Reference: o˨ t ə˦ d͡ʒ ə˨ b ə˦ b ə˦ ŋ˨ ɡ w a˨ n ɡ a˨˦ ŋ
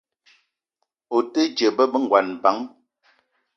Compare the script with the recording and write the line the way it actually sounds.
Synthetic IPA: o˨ t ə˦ d͡ʒ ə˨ b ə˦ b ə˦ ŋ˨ ɡ w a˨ n b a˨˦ ŋ

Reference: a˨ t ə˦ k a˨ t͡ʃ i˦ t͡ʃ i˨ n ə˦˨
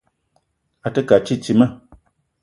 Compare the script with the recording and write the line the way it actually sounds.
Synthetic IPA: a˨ t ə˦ k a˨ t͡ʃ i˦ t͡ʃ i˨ m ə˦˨

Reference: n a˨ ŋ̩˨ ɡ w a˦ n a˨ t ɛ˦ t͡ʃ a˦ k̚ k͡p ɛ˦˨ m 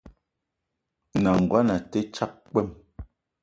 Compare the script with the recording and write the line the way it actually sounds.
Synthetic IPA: n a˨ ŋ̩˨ ɡ w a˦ n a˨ t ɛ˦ t͡ʃ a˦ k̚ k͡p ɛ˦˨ m

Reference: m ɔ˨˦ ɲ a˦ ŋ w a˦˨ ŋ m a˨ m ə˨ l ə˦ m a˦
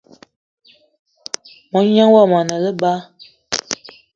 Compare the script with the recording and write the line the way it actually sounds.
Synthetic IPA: m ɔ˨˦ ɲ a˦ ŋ w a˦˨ m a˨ n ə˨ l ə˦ b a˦

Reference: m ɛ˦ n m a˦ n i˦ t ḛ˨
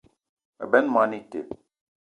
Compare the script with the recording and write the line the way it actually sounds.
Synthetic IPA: b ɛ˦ n m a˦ n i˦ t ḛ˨

